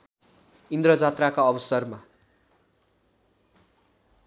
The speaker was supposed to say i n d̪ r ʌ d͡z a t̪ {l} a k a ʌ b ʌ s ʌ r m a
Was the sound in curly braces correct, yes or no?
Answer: no